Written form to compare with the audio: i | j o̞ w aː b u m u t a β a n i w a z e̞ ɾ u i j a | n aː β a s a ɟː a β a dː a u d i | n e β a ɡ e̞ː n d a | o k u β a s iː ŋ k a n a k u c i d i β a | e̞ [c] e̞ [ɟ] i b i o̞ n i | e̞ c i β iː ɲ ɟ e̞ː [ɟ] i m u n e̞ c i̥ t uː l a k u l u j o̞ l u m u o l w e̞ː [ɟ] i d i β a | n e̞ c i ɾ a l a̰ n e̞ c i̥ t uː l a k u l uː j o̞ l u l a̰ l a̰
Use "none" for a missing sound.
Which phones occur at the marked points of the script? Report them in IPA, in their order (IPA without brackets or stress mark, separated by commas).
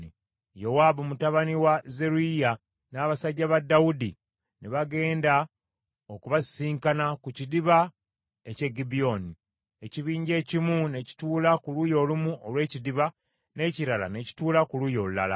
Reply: c, ɡ, c, c